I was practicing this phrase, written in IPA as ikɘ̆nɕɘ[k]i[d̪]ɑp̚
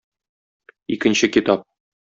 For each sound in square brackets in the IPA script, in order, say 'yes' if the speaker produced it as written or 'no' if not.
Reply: yes, no

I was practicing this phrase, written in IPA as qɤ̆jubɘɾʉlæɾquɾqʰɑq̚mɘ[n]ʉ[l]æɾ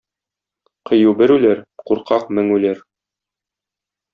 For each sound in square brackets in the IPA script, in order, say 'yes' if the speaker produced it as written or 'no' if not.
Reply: no, yes

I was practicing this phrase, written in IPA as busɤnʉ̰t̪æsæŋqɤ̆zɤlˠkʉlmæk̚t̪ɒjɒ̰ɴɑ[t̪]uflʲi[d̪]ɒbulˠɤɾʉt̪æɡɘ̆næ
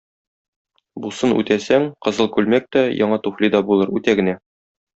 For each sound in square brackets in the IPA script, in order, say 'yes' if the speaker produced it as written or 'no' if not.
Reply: yes, yes

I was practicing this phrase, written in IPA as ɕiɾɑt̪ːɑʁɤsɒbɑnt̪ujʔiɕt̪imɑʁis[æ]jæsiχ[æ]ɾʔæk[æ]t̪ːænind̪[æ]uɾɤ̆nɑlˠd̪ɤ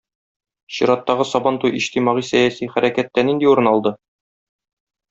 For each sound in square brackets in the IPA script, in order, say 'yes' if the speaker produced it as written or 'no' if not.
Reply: yes, yes, yes, no

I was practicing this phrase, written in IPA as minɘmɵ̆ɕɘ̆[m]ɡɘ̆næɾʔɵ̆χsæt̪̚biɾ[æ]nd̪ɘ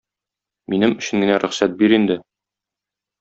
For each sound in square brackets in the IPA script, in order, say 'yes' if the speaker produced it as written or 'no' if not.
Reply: no, no

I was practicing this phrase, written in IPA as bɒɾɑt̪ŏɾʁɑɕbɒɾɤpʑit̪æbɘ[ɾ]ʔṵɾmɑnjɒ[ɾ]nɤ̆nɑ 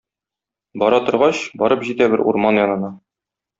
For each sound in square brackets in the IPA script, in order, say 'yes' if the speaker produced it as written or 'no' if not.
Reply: yes, no

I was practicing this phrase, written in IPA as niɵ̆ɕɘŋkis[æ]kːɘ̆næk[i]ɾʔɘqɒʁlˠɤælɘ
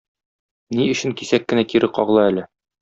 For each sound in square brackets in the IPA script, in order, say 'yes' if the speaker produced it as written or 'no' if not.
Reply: yes, yes

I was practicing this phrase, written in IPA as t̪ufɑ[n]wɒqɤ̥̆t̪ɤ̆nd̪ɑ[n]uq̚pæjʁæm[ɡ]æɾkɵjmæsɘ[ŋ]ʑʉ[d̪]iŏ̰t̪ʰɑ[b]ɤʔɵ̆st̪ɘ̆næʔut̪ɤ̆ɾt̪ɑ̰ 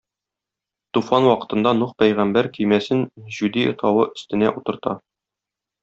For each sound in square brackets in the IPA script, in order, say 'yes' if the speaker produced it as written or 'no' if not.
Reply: yes, yes, no, no, yes, no

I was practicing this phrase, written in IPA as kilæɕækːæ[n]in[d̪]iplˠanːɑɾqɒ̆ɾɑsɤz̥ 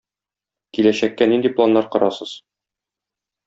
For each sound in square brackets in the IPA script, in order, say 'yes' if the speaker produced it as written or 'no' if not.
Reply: yes, yes

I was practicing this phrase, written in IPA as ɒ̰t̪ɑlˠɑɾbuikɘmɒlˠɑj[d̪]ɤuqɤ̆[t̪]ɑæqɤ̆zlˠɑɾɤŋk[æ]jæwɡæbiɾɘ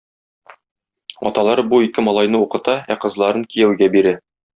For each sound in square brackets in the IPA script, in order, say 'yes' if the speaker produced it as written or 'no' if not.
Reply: no, yes, no

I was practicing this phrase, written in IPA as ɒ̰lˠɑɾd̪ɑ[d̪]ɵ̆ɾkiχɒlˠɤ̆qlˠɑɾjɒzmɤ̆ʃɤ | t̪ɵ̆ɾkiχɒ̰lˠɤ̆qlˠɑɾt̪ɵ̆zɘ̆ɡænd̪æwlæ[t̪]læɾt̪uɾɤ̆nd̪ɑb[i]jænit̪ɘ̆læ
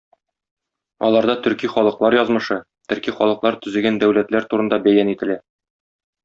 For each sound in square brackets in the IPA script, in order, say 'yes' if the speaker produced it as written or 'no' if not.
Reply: no, yes, no

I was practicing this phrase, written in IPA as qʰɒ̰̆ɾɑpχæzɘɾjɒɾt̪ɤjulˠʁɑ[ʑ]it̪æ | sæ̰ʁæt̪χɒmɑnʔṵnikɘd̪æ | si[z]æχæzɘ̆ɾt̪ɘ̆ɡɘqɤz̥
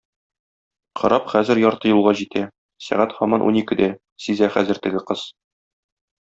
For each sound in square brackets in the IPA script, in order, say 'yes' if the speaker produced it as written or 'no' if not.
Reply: yes, yes

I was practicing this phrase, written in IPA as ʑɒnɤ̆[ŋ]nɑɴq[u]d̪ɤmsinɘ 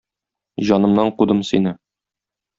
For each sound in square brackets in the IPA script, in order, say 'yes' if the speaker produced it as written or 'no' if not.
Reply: no, yes

